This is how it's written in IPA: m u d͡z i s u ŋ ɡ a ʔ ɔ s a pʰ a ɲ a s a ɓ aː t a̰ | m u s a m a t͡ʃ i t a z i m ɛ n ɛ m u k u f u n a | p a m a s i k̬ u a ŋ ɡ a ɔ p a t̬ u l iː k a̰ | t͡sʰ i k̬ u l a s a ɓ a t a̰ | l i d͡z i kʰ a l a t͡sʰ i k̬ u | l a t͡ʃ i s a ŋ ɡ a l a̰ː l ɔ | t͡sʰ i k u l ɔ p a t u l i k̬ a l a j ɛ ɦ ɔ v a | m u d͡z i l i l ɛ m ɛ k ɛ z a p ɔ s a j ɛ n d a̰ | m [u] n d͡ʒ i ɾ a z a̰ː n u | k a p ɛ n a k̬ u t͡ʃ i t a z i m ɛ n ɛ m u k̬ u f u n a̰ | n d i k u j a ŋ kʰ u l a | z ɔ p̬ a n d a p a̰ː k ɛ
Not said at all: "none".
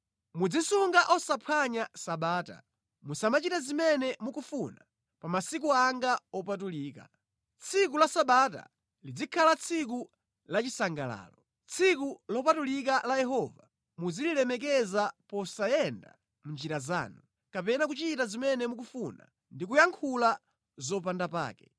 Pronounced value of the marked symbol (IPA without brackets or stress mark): u